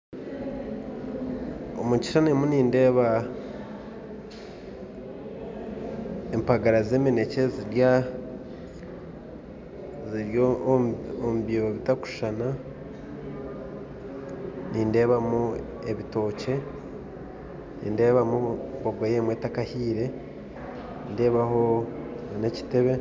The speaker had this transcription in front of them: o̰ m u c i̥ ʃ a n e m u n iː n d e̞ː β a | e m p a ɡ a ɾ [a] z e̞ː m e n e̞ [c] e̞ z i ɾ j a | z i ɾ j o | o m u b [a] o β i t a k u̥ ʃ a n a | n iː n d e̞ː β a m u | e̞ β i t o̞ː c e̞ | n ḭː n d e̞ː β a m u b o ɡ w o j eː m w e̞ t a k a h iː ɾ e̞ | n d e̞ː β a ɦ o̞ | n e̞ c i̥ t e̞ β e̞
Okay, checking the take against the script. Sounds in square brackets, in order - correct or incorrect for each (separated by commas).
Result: correct, correct, incorrect